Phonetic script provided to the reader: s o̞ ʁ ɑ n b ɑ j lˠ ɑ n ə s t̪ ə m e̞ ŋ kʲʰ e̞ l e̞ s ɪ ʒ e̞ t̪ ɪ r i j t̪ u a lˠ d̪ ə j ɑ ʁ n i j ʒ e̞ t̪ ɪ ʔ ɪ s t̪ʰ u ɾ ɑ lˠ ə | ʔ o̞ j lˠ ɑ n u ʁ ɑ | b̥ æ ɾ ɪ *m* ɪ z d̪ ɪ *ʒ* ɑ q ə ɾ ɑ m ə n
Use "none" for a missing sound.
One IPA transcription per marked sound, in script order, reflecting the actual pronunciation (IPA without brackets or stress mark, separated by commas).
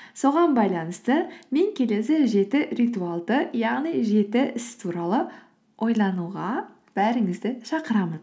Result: ŋ, ʃ